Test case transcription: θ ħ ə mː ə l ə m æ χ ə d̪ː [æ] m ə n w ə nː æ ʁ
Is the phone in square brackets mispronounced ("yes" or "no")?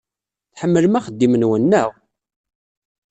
yes